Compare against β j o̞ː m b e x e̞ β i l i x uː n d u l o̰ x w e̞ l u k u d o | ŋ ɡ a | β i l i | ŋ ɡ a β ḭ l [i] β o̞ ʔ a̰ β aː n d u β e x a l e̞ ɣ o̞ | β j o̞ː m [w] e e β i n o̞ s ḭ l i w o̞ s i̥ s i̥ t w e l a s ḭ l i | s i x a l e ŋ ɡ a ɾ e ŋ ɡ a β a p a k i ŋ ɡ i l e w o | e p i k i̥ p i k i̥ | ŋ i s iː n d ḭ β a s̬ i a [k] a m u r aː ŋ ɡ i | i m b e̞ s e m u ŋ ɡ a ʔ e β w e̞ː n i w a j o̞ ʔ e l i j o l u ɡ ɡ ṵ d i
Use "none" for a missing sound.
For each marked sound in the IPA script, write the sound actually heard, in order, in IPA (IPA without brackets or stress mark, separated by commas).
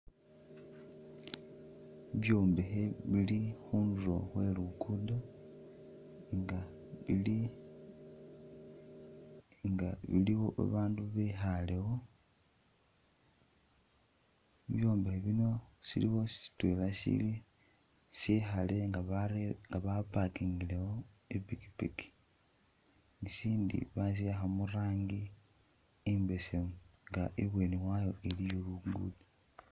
i, b, x